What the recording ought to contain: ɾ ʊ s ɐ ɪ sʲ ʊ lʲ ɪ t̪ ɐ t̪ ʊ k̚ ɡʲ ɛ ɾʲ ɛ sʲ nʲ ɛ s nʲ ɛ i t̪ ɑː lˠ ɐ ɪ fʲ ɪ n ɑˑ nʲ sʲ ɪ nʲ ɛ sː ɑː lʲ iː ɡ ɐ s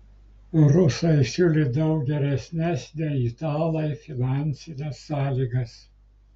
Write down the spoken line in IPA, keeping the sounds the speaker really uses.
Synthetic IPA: ɾ ʊ s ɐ ɪ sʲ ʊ lʲ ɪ d̪ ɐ ʊ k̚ ɡʲ ɛ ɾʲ ɛ sʲ nʲ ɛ s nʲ ɛ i t̪ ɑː lˠ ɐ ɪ fʲ ɪ n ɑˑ nʲ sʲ ɪ nʲ ɛ sː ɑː lʲ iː ɡ ɐ s